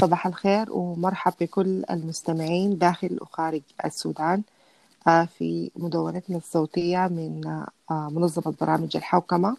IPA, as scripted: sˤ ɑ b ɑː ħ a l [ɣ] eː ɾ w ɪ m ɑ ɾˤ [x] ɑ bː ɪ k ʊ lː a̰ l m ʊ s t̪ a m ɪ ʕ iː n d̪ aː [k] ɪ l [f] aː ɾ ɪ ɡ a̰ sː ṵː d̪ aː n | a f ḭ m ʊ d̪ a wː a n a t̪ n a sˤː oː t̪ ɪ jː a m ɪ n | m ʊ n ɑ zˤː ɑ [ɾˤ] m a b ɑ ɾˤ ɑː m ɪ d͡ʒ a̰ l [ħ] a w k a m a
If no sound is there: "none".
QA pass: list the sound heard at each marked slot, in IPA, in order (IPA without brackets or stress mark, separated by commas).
x, ħ, x, x, none, ħ